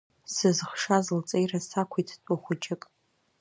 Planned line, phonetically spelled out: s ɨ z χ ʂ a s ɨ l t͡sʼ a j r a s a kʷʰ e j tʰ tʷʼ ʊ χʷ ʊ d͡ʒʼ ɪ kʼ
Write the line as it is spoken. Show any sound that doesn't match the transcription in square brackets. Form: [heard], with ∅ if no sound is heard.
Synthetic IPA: s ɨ z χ ʂ a [z] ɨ l t͡sʼ [e] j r a s a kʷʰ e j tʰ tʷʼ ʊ χʷ ʊ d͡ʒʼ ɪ kʼ